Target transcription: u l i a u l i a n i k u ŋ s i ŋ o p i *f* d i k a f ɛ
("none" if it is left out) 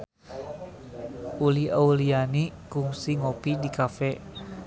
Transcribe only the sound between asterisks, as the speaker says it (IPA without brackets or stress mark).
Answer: none